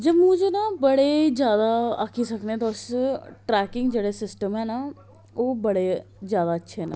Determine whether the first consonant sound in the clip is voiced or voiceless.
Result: voiced